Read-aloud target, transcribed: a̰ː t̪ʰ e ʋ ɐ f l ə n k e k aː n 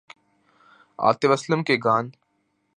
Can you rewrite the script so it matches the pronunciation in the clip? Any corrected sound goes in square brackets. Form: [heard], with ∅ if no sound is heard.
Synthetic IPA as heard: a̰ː [t̪] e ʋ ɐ [s] l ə [m] k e [ɡ] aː n

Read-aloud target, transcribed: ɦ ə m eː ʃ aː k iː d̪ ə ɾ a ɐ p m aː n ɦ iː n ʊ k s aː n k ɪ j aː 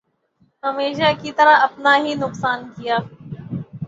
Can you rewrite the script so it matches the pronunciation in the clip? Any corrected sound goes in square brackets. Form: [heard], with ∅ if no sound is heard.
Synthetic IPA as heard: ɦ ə m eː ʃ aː k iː [t̪] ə ɾ a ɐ p [n] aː [∅] ɦ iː n ʊ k s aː n k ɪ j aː

